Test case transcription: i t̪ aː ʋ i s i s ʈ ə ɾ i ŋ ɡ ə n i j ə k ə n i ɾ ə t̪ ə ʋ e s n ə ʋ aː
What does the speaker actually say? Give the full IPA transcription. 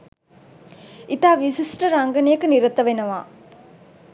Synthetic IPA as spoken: i t̪ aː ʋ i s i s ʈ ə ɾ a ŋ ɡ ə n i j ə k ə n i ɾ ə t̪ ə ʋ e n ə ʋ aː